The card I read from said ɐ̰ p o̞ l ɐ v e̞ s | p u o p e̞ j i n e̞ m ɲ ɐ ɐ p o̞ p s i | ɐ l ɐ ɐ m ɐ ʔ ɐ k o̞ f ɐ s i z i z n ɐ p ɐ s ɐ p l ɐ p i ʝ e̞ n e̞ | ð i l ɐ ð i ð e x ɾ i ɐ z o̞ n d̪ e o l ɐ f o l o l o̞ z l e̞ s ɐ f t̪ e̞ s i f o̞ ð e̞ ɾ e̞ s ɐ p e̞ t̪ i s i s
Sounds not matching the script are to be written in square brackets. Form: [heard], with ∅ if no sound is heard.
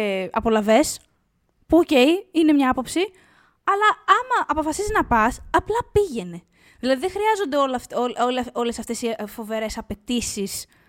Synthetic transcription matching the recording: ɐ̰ p o̞ l ɐ v e̞ s | p u o [c] e̞ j i n e̞ m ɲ ɐ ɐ p o̞ p s i | ɐ l ɐ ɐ m ɐ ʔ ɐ [p] o̞ f ɐ s i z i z n ɐ p ɐ s ɐ p l ɐ p i ʝ e̞ n e̞ | ð i l ɐ ð i ð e x ɾ i ɐ z o̞ n d̪ e o l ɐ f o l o l o̞ [∅] l e̞ s ɐ f t̪ e̞ s i f o̞ [v] e̞ ɾ e̞ s ɐ p e̞ t̪ i s i s